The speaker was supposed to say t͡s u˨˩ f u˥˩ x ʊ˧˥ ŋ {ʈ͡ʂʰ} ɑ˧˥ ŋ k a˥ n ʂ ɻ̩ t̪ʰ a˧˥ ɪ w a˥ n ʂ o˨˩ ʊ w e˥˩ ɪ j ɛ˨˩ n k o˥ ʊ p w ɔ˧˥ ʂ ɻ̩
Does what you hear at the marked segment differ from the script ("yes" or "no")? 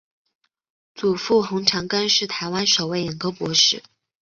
no